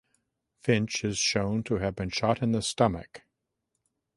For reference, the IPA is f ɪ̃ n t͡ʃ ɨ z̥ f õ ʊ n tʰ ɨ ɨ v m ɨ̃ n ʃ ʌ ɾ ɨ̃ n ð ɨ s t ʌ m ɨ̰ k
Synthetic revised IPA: f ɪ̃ n t͡ʃ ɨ z̥ ʃ õ ʊ̃ n tʰ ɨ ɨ v b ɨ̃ n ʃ ɑ ɾ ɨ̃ n ð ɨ s t ʌ m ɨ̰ k